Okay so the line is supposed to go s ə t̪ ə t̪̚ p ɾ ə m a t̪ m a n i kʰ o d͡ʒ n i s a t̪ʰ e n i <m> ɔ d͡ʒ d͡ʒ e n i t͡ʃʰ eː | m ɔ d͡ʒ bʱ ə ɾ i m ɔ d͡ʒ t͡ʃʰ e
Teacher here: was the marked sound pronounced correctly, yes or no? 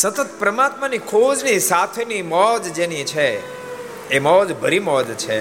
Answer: yes